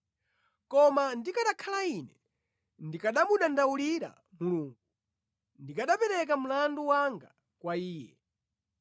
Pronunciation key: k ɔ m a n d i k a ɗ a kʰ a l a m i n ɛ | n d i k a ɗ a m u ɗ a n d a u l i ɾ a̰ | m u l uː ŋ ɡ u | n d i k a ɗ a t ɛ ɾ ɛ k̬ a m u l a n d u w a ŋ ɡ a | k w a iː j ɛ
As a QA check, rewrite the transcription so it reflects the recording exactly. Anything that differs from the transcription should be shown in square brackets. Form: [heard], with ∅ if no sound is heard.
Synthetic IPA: k ɔ m a n d i k a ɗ a kʰ a l a [∅] i n ɛ | n d i k a ɗ a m u ɗ a n d a u l i ɾ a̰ | m u l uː ŋ ɡ u | n d i k a ɗ a [p] ɛ ɾ ɛ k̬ a m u l a n d u w a ŋ ɡ a | k w a iː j ɛ